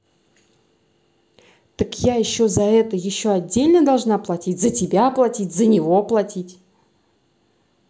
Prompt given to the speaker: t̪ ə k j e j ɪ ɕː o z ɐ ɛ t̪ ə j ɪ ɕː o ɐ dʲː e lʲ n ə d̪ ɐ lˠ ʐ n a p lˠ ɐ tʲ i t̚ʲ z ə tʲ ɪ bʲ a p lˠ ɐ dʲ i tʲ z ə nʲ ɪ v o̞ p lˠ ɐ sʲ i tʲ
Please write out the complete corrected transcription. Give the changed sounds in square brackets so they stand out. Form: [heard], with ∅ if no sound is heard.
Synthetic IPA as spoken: t̪ ə k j [a] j ɪ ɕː o z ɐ ɛ t̪ ə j ɪ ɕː o ɐ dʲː e lʲ n ə d̪ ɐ lˠ ʐ n a p lˠ ɐ tʲ i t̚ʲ z ə tʲ ɪ bʲ a p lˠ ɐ [tʲ] i tʲ z ə nʲ ɪ v o̞ p lˠ ɐ [tʲ] i tʲ

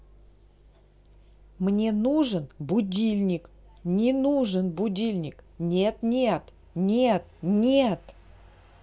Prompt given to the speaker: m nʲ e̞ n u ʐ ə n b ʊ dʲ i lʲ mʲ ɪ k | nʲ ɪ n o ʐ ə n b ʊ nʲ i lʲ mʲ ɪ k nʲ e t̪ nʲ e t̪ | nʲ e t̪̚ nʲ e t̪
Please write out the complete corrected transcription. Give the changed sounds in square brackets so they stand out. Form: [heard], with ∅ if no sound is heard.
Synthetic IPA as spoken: m nʲ e̞ n u ʐ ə n b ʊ dʲ i lʲ [nʲ] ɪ k | nʲ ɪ n [u] ʐ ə n b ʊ [dʲ] i lʲ [nʲ] ɪ k nʲ e t̪ nʲ e t̪ | nʲ e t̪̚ nʲ e t̪

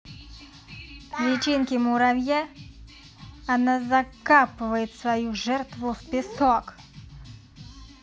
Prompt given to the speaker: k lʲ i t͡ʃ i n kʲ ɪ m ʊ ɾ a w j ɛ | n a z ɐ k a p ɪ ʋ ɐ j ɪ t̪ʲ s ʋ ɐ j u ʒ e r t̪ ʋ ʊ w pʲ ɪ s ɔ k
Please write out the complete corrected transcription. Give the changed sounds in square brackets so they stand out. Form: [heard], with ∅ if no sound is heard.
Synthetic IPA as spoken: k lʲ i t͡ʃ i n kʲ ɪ m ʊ ɾ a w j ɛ | n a z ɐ k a p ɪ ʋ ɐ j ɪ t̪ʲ s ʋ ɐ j u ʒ [ɛ] r t̪ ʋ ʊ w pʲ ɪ s ɔ k

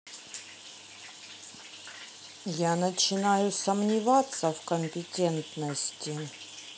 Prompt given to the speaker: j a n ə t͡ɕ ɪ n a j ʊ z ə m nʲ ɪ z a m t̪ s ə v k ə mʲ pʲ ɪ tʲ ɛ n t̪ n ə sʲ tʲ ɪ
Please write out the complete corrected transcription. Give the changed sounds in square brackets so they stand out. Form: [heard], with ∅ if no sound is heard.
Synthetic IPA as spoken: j a n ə t͡ɕ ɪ n a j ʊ [s] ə m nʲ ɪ [v] a [∅] t̪ s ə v k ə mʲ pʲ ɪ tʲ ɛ n t̪ n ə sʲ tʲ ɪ

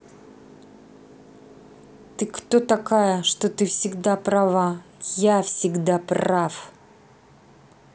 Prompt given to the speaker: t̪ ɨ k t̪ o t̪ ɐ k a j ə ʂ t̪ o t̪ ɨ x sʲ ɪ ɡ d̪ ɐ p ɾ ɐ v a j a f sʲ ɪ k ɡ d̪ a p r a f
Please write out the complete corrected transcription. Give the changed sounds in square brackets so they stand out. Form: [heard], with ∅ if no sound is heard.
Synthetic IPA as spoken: t̪ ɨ k t̪ o t̪ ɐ k a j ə ʂ t̪ o t̪ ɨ [f] sʲ ɪ ɡ d̪ [a] p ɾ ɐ v a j a f sʲ ɪ [∅] ɡ d̪ a p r a f

